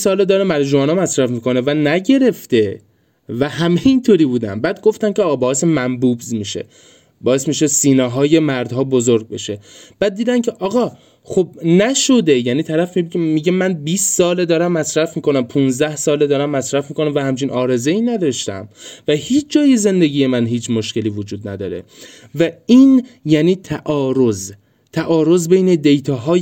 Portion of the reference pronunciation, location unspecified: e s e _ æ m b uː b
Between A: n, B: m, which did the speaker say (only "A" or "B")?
B